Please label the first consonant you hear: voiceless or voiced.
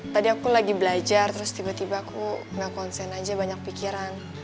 voiceless